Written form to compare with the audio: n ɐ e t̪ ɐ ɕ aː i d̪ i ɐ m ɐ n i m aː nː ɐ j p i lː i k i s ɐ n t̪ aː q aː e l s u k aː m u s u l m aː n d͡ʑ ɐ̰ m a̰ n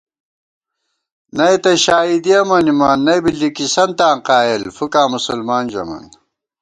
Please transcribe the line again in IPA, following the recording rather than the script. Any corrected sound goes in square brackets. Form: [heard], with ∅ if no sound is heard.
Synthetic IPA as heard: n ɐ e t̪ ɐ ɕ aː i d̪ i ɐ m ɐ n i m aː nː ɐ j [b] i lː i k i s ɐ n t̪ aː q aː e l [f] u k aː m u s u l m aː n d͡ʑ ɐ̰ m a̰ n